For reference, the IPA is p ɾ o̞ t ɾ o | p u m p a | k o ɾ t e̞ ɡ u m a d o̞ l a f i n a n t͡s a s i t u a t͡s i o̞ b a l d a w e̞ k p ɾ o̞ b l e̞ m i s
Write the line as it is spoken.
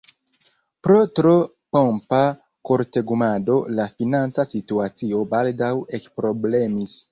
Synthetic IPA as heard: p ɾ o̞ t ɾ o | p o m p a | k o ɾ t e̞ ɡ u m a d o̞ l a f i n a n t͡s a s i t u a t͡s i o̞ b a l d a w e̞ k p ɾ o̞ b l e̞ m i s